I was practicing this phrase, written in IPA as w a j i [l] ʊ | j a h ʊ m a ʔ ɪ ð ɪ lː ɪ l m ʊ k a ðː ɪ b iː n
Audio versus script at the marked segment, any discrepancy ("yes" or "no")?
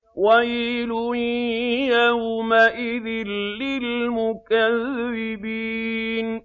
no